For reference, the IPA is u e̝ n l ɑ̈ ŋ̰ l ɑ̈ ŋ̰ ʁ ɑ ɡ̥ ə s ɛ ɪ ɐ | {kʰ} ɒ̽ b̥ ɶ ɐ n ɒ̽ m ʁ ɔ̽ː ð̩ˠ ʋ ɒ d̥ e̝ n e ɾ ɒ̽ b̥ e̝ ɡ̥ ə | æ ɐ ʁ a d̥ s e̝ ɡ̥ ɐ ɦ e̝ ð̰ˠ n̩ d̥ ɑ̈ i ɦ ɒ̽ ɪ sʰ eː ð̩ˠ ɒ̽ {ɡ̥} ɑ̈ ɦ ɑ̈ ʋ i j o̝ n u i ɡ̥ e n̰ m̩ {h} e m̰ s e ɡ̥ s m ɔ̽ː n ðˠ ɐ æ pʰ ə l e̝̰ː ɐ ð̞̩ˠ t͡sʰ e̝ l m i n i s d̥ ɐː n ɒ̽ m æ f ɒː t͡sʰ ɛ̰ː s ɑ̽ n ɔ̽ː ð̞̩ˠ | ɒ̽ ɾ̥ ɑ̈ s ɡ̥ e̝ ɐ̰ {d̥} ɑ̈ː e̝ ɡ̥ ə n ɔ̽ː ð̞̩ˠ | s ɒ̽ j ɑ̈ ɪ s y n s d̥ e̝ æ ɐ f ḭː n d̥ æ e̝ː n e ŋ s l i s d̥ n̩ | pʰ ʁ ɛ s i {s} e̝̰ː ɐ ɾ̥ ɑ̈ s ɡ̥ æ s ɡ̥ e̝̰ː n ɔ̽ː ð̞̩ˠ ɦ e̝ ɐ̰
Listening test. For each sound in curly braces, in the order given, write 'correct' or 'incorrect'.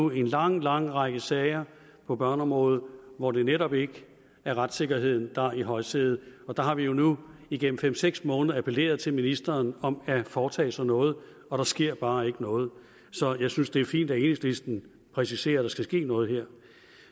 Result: incorrect: pʰ, incorrect: d̥, incorrect: f, incorrect: b̥, correct

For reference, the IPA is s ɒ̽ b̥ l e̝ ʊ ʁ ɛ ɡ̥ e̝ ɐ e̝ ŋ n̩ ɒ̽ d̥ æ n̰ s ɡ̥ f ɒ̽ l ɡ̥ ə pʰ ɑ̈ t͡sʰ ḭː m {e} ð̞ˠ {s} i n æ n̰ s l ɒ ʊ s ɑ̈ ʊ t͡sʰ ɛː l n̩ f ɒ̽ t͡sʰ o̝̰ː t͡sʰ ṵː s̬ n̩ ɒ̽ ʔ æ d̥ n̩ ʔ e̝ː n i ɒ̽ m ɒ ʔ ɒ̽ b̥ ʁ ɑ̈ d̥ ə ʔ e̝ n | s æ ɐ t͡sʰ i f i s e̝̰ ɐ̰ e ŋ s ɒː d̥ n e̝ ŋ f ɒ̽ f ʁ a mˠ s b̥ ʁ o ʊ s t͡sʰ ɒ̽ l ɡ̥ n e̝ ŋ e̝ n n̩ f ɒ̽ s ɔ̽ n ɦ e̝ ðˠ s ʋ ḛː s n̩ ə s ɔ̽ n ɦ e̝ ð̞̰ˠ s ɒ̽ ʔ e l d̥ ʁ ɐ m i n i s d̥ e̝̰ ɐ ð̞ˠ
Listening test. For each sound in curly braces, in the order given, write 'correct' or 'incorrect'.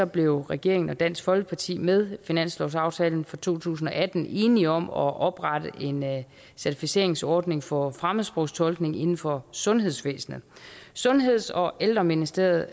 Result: correct, incorrect: f

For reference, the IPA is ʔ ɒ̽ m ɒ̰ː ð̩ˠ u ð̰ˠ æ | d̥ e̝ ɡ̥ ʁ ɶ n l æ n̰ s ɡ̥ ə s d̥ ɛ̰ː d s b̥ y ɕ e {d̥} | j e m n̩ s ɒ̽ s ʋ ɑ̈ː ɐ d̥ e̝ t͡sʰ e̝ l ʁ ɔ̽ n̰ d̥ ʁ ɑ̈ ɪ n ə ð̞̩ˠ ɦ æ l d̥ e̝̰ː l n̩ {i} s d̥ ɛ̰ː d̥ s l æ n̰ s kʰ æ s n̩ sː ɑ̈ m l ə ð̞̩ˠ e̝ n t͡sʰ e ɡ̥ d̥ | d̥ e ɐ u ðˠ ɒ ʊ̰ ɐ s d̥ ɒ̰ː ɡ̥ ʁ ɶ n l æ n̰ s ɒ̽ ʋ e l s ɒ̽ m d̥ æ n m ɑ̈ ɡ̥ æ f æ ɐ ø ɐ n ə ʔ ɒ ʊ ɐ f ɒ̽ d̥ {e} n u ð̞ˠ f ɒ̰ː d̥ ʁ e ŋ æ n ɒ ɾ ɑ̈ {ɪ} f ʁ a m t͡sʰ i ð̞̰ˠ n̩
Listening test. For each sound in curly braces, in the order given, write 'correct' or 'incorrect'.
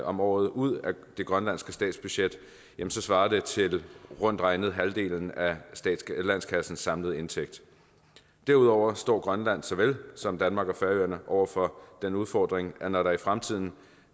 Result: correct, incorrect: æ, correct, incorrect: i

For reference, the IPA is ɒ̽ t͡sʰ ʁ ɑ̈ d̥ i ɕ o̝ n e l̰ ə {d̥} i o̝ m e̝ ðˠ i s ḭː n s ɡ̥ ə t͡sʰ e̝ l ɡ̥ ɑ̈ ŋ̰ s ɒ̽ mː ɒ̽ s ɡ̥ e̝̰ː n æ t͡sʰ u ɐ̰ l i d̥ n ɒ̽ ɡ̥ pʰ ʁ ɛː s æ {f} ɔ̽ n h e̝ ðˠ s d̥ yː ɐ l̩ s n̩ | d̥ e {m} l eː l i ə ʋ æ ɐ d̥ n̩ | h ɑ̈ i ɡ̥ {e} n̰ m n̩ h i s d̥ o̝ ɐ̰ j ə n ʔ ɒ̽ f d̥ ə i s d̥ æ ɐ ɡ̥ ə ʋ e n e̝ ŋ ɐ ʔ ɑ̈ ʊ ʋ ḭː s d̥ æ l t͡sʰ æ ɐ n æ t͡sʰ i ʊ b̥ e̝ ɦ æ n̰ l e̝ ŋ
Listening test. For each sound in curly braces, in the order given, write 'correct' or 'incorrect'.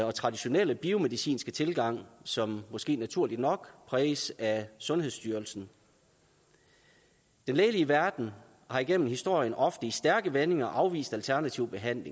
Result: incorrect: b̥, incorrect: s, incorrect: n, correct

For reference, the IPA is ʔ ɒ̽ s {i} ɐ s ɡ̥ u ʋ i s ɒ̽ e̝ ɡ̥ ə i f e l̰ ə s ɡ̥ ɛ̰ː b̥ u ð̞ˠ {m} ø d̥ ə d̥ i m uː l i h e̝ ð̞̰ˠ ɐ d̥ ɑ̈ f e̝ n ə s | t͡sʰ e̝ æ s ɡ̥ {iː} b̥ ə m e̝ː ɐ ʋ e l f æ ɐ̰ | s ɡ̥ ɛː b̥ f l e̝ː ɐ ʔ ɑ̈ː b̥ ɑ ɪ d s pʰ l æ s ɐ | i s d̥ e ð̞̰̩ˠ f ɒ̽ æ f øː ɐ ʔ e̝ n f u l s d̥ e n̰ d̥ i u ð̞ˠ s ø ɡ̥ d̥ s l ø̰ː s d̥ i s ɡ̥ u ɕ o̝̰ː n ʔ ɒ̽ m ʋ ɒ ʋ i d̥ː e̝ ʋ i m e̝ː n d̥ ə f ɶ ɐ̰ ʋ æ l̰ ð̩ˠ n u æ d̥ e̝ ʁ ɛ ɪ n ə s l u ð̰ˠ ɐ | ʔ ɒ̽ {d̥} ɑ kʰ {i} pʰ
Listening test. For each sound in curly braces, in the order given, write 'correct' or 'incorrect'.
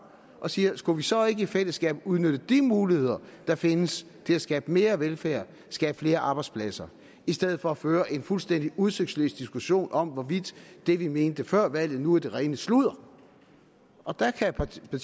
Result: incorrect: iː, incorrect: n, incorrect: ɛː, correct, incorrect: æ

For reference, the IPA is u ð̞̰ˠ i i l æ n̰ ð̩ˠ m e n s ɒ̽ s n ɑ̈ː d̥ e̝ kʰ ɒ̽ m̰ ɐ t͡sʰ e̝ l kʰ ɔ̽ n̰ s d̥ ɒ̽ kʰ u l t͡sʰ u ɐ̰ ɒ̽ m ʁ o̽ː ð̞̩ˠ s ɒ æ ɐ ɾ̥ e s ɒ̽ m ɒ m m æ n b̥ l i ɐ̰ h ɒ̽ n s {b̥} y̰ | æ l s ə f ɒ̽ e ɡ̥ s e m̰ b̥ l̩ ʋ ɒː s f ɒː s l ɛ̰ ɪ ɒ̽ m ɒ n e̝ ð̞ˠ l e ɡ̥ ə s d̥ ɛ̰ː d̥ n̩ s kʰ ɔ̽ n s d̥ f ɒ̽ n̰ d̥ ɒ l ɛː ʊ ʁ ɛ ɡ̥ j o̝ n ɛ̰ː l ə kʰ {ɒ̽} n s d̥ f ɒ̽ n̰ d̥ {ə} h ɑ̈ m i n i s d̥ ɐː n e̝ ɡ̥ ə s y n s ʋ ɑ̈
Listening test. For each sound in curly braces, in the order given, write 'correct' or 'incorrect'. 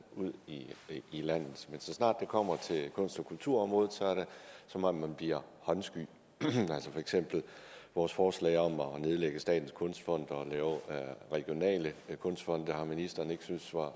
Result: incorrect: ɡ̥, incorrect: ɔ̽, correct

